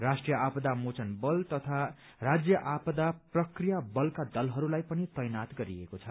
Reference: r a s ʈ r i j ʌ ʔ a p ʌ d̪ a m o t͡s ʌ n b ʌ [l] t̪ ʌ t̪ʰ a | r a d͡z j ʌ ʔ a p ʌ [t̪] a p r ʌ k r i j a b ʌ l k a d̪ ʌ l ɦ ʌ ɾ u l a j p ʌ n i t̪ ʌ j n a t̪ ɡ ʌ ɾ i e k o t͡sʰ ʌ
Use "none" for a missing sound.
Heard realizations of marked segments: l, d̪

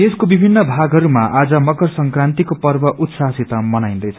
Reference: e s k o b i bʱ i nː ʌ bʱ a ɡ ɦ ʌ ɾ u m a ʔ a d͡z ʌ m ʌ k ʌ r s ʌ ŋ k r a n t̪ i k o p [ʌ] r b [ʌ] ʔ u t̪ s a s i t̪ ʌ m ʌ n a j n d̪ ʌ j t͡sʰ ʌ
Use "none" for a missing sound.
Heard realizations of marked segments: ʌ, ʌ

